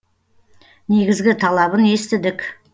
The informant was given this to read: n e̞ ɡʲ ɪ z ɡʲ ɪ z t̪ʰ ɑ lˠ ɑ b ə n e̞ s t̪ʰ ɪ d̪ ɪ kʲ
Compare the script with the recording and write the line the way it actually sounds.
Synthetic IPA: n e̞ ɡʲ ɪ z ɡʲ ɪ t̪ʰ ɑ lˠ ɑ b ə n e̞ s t̪ ɪ d̪ ɪ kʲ